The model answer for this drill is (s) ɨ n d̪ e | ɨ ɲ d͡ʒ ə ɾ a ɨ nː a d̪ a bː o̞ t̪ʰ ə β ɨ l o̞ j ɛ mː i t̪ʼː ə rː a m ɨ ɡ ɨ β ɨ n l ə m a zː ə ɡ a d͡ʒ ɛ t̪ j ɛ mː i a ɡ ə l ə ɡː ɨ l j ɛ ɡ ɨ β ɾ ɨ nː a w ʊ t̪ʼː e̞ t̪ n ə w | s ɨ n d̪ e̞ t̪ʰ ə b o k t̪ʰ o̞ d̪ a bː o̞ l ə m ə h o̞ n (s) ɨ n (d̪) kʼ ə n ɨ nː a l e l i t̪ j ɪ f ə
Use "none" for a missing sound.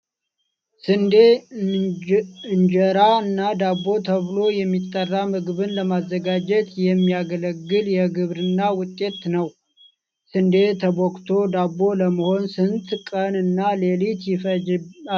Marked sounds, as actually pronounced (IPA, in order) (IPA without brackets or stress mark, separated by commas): s, s, t̪